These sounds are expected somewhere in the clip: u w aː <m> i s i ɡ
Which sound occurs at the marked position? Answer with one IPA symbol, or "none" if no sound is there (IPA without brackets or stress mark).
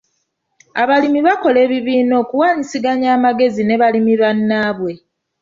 ɲ